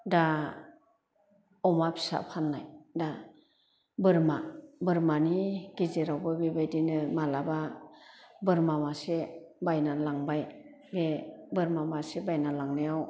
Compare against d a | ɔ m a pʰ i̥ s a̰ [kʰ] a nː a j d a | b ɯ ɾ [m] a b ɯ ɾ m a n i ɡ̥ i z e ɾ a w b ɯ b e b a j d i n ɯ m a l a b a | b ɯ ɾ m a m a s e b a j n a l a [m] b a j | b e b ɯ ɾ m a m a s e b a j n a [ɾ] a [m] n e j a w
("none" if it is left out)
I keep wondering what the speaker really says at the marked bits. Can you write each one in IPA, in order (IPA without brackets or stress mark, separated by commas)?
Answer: pʰ, m, ŋ, l, ŋ